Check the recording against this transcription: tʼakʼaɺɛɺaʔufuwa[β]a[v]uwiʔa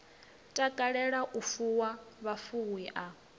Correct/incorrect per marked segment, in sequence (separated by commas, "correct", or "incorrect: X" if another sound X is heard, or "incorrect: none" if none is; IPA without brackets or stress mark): correct, incorrect: f